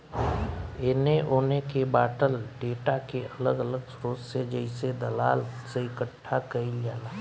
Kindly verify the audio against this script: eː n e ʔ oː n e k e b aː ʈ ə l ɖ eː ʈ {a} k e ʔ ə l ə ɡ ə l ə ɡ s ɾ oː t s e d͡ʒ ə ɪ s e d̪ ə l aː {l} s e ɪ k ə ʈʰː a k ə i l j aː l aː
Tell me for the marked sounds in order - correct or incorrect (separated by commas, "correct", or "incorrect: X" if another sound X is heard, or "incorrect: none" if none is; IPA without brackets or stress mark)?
correct, correct